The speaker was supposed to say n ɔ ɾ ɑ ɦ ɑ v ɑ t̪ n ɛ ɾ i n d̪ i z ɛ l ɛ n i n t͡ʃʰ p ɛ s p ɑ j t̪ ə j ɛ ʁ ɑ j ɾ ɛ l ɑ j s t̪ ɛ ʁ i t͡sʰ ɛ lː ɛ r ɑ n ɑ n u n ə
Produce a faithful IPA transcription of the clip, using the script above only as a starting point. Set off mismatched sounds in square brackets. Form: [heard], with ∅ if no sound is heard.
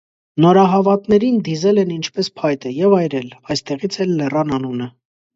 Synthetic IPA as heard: n ɔ ɾ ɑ ɦ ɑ v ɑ t̪ n ɛ ɾ i n d̪ i z ɛ l ɛ n i n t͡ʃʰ p ɛ s [pʰ] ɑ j t̪ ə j ɛ [v] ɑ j ɾ ɛ l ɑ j s t̪ ɛ ʁ i t͡sʰ ɛ lː ɛ r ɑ n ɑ n u n ə